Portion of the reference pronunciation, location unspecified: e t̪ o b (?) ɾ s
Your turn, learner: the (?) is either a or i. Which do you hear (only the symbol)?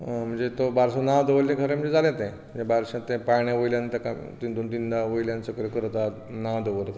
a